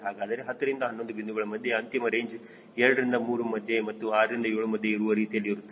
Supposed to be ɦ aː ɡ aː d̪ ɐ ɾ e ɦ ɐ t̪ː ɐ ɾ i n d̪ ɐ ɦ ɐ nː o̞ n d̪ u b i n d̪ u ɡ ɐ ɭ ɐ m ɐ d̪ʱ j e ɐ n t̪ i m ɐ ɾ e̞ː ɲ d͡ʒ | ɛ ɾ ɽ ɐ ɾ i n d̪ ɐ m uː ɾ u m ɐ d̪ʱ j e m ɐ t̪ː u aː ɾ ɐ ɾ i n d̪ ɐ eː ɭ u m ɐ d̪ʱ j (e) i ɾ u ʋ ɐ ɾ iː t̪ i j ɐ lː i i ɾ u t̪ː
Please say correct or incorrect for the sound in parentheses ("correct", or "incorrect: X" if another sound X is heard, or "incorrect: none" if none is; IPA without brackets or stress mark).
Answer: correct